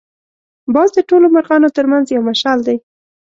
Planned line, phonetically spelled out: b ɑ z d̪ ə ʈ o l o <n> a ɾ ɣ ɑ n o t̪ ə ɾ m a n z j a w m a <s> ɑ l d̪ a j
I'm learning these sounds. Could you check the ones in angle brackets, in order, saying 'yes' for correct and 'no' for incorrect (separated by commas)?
no, no